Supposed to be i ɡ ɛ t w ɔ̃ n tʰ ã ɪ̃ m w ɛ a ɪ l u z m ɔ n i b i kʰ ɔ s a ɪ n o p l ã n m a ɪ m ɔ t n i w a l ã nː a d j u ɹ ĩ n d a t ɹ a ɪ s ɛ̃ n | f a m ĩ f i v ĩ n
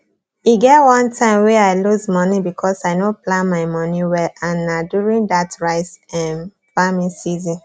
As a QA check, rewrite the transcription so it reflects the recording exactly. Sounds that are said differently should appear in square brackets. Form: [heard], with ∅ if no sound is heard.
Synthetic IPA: i ɡ ɛ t w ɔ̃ n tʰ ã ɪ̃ m w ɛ a ɪ l u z m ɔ n i b i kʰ ɔ s a ɪ n o p l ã n m a ɪ m ɔ [∅] n i w [ɛ] l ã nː a d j u ɹ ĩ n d a t ɹ a ɪ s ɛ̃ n | f a m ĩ [s] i [z] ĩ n